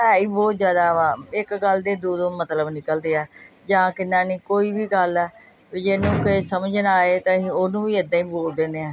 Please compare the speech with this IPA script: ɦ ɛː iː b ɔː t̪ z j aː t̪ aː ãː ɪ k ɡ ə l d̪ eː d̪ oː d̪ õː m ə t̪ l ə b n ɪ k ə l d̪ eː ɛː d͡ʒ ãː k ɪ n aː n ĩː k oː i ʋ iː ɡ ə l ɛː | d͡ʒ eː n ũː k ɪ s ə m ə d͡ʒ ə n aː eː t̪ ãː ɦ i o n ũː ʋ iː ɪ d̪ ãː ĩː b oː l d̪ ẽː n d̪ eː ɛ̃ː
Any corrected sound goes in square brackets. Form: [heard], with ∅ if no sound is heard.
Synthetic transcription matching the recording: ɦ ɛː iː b ɔː t̪ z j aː [d̪] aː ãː ɪ k ɡ ə l d̪ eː d̪ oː d̪ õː m ə t̪ l ə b n ɪ k ə l d̪ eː ɛː d͡ʒ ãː k ɪ n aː n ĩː k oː [iː] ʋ iː ɡ ə l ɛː | d͡ʒ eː n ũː k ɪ s ə m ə d͡ʒ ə n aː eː t̪ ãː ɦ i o n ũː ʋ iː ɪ d̪ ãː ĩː b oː l d̪ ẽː n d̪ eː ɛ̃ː